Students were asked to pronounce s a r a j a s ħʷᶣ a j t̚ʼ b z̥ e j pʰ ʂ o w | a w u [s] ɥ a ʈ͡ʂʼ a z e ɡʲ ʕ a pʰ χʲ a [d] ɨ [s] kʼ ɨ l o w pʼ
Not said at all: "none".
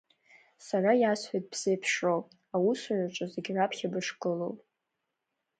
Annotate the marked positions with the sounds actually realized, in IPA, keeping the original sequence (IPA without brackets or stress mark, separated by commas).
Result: s, b, ʂ